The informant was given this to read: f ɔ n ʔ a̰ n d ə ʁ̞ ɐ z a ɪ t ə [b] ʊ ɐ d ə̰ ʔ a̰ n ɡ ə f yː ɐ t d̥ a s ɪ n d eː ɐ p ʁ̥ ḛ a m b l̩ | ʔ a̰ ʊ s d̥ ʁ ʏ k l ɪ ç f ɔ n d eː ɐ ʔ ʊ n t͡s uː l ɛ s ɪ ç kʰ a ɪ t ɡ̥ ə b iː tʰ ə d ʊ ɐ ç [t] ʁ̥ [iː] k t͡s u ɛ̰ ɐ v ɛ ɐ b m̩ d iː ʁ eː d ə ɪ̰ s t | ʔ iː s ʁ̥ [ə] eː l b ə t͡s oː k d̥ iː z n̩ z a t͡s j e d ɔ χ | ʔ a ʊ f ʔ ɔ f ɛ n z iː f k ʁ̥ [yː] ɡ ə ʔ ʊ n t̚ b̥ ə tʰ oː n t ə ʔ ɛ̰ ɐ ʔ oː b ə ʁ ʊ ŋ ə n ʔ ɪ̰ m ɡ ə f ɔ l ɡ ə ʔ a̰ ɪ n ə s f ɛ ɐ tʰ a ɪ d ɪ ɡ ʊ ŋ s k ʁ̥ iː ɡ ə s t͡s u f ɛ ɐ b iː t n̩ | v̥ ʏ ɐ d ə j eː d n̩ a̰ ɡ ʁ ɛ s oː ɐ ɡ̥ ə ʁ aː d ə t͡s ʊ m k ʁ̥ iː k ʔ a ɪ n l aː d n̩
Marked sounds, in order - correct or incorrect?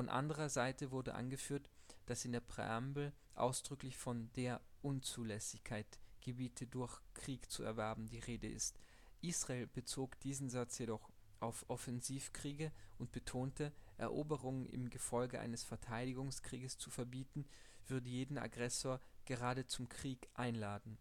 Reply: incorrect: v, incorrect: k, correct, incorrect: a, incorrect: iː

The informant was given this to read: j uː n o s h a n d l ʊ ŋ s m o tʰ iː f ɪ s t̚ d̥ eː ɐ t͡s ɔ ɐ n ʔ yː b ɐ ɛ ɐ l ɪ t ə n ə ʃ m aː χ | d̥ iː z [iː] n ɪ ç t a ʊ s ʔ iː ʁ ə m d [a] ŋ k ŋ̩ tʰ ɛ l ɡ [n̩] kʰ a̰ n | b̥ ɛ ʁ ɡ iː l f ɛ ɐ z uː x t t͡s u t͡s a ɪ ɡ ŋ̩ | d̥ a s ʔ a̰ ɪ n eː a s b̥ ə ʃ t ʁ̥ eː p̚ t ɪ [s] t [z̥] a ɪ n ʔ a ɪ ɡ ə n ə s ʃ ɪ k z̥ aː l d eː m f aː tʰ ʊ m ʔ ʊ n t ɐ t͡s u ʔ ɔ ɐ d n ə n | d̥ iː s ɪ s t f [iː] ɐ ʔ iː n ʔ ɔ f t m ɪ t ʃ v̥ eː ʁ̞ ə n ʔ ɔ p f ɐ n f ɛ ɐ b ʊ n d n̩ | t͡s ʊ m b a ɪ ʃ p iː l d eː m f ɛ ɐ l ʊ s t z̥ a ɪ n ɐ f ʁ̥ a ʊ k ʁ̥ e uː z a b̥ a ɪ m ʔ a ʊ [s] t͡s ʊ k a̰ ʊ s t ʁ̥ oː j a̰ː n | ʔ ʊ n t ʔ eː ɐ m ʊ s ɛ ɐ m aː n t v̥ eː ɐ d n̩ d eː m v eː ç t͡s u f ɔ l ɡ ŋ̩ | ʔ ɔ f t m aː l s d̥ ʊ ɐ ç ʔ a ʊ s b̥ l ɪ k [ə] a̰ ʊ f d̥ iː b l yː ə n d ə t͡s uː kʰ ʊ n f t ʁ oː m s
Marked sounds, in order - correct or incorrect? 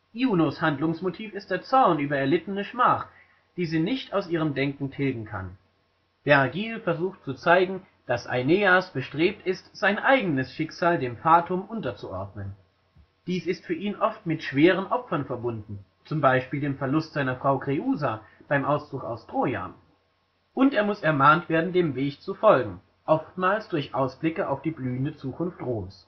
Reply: correct, incorrect: ɛ, incorrect: ŋ̩, correct, correct, incorrect: yː, correct, correct

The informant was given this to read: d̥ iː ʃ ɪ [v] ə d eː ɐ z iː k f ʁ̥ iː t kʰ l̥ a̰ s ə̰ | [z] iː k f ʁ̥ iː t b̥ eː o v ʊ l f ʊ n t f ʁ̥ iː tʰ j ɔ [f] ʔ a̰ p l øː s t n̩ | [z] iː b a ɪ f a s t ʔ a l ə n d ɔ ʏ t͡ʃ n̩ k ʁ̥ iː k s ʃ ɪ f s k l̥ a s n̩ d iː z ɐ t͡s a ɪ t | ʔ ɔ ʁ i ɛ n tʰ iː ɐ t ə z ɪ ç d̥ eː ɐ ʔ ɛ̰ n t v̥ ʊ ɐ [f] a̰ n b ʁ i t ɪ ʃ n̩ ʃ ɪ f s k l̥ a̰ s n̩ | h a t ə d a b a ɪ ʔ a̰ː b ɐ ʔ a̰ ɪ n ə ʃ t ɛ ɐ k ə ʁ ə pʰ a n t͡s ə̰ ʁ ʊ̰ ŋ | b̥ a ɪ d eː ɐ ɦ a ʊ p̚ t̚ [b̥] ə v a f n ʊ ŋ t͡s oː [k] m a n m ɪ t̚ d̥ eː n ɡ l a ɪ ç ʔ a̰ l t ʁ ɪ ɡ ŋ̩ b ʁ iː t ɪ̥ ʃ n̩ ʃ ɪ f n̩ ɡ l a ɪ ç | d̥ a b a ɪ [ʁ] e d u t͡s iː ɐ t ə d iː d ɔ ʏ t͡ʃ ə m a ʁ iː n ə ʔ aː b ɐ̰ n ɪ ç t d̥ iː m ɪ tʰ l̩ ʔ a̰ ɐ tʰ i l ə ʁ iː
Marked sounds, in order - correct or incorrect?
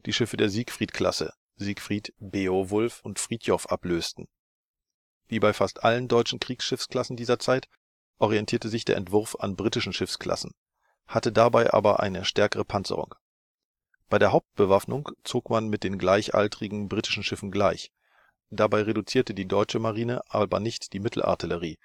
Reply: incorrect: f, correct, correct, incorrect: v, correct, correct, correct, correct

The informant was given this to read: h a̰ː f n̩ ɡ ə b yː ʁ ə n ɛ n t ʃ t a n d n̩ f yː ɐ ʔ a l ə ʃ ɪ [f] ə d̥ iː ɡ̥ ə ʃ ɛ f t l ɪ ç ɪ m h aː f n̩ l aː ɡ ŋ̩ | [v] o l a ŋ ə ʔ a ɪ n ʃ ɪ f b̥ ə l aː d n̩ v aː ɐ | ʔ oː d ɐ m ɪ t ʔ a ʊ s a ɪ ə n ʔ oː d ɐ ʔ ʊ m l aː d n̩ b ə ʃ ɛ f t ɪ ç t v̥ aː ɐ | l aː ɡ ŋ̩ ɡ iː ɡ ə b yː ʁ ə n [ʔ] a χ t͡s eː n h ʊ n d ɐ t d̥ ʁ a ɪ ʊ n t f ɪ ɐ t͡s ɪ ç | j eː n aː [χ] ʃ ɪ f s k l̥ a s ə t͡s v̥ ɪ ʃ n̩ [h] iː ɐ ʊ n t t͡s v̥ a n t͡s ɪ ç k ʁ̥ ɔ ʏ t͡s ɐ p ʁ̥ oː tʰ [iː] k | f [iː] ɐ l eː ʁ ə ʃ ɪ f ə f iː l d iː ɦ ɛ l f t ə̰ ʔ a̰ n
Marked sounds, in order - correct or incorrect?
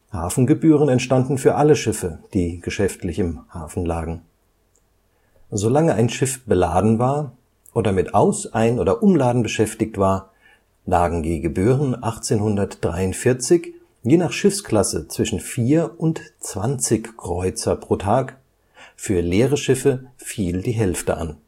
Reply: correct, incorrect: z, correct, correct, incorrect: f, incorrect: aː, incorrect: yː

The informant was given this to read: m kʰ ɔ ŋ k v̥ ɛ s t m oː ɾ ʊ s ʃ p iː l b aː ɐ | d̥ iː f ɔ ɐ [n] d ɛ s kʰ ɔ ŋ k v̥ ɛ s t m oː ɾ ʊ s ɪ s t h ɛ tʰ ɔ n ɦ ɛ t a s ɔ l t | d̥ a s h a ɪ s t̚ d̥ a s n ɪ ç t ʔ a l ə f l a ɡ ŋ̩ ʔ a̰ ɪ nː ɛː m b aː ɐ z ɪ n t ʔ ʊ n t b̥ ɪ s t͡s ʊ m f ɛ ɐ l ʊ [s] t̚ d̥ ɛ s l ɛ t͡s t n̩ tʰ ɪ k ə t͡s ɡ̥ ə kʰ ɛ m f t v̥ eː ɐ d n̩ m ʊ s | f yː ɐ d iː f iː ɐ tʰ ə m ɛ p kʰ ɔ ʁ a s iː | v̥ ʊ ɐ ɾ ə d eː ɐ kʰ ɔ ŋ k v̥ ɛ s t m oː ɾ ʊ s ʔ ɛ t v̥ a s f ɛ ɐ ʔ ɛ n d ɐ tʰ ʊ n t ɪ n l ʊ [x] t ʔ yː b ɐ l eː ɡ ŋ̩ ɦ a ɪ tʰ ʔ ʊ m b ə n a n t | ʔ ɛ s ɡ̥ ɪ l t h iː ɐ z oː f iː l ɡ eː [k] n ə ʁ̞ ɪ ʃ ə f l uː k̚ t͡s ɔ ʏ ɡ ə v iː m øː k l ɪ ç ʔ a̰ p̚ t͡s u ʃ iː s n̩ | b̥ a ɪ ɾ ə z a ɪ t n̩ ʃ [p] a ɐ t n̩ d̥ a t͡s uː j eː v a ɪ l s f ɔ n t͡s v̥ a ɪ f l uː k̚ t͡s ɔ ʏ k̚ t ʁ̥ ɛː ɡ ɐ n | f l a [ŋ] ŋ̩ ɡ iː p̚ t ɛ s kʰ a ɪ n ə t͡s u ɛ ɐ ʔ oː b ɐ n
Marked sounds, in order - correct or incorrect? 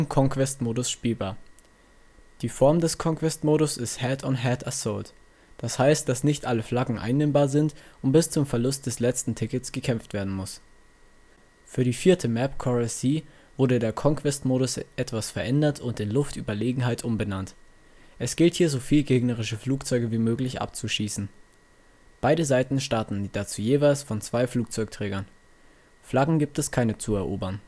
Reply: incorrect: m, correct, incorrect: f, incorrect: ɡ, incorrect: t, incorrect: ɡ

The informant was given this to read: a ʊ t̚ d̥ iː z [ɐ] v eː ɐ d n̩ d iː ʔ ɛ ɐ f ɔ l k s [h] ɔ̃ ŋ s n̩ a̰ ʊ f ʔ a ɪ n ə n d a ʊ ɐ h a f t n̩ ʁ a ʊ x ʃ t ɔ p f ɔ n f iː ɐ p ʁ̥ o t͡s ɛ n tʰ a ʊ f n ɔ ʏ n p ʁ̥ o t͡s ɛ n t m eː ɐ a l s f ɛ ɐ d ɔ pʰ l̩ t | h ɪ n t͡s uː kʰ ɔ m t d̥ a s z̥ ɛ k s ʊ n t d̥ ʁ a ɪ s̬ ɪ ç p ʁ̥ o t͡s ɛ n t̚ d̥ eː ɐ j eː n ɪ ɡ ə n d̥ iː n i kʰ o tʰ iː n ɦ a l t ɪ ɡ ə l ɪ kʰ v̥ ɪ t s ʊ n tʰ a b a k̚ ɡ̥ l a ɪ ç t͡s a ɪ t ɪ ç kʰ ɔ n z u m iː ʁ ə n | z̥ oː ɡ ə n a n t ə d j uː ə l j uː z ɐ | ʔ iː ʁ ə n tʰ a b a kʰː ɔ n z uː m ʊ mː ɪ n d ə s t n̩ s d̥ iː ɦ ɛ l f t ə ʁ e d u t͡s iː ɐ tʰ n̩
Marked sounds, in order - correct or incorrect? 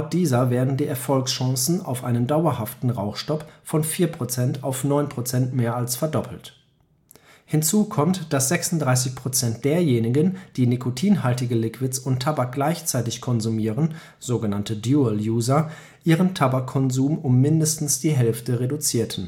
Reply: correct, incorrect: ʃ

